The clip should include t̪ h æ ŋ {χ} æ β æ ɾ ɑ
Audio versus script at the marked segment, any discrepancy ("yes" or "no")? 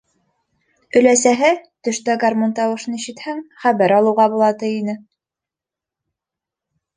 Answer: no